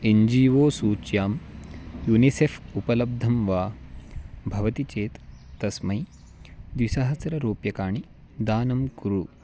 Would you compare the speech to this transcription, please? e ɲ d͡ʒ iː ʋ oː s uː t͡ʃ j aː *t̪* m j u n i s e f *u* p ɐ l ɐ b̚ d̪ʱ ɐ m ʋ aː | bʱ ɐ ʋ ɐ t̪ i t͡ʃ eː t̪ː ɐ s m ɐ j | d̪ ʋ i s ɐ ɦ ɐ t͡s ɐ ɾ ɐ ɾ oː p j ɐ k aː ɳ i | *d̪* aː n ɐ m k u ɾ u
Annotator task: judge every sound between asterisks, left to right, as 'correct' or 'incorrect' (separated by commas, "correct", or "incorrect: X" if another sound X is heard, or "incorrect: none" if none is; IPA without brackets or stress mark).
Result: incorrect: none, correct, correct